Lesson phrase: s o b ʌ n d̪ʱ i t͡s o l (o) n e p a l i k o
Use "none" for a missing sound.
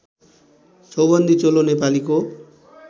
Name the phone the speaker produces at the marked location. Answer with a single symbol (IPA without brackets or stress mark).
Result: o